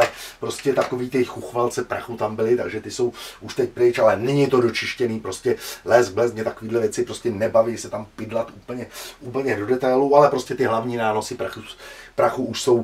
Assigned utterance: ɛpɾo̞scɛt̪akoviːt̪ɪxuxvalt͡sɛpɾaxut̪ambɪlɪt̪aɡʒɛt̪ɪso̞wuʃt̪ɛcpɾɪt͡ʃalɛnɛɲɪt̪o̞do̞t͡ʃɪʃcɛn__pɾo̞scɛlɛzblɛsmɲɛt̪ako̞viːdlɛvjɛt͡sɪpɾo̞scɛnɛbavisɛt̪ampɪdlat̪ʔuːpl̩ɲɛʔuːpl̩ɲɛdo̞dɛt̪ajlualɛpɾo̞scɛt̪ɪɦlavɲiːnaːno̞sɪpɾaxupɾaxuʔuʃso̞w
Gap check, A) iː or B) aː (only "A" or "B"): A